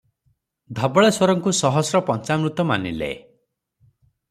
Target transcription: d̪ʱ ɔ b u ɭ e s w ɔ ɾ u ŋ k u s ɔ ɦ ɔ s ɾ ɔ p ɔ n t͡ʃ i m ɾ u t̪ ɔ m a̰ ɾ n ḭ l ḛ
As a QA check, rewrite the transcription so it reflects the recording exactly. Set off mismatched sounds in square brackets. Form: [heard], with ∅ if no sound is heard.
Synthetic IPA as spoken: d̪ʱ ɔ b [ɔ] ɭ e s w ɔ ɾ [ɔ] ŋ k u s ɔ ɦ ɔ s ɾ ɔ p ɔ n t͡ʃ [a] m ɾ u t̪ ɔ m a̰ [∅] n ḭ l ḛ